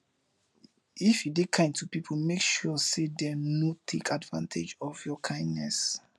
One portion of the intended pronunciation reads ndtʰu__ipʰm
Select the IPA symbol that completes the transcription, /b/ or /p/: p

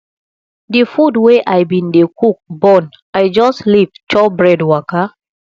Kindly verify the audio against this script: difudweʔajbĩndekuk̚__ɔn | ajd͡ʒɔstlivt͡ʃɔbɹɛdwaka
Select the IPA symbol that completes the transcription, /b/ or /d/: b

